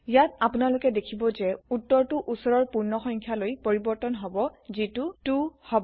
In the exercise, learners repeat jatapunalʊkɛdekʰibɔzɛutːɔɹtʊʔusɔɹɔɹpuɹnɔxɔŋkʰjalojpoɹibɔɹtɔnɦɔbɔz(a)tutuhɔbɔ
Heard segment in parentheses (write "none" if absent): i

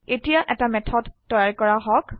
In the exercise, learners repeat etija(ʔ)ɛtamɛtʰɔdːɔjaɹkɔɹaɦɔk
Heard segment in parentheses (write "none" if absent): ʔ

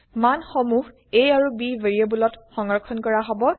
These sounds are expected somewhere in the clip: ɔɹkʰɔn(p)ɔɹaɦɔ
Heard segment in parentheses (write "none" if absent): k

